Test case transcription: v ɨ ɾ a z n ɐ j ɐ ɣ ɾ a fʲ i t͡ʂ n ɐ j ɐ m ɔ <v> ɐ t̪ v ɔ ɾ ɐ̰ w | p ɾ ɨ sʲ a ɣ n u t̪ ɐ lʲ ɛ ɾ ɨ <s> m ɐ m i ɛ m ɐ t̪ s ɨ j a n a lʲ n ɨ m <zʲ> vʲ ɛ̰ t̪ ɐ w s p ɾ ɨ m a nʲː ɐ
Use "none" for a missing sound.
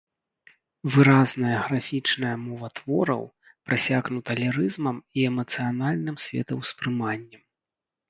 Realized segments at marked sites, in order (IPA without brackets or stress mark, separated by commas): v, z, sʲ